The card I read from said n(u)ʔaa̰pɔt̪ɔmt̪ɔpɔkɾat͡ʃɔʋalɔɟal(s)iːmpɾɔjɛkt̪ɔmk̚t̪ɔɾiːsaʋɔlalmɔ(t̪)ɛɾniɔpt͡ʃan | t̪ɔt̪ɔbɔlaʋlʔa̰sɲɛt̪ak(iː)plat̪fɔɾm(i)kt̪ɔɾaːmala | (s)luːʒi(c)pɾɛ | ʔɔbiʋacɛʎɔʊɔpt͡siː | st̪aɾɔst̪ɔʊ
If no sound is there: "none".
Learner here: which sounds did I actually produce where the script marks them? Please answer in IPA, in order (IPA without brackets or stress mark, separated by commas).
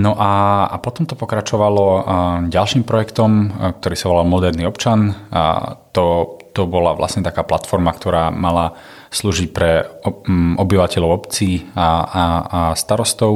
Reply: ɔ, ʃ, d̪, aː, a, s, c